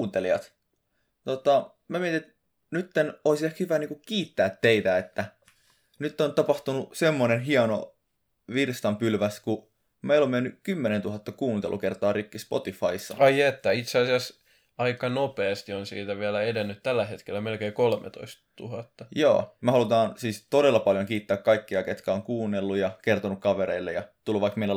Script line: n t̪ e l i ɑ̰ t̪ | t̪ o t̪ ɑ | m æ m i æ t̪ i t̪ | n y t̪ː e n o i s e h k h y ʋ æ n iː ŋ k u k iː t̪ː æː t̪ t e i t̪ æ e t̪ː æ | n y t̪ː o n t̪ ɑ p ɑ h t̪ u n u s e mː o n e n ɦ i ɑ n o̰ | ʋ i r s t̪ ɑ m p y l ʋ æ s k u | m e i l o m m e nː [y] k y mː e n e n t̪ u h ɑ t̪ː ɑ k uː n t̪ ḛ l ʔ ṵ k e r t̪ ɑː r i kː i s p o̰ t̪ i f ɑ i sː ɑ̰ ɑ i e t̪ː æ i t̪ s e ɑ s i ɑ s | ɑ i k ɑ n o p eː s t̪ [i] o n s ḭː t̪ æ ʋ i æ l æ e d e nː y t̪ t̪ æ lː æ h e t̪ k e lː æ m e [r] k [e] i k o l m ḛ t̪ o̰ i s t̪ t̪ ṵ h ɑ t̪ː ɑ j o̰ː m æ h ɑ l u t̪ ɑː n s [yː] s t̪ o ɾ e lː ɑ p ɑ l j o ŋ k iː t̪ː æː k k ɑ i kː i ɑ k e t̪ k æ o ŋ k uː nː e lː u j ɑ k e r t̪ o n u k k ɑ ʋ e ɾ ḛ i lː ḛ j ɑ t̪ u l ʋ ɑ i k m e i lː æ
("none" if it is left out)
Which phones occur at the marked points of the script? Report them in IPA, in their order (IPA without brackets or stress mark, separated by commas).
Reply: y, i, l, e, iː